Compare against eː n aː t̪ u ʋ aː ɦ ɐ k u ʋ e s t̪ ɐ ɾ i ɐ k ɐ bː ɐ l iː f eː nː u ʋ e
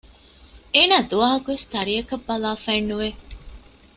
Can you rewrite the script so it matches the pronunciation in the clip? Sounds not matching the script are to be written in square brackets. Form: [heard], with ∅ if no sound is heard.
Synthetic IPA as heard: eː n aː [d̪] u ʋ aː ɦ ɐ k u ʋ e s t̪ ɐ ɾ i ɐ k ɐ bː ɐ l [aː] f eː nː u ʋ e